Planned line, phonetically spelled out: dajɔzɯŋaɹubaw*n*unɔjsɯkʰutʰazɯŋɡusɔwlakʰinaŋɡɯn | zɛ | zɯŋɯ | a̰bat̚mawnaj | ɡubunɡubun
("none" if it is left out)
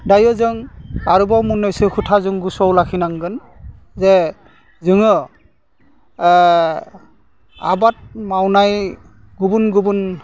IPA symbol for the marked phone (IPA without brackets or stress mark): m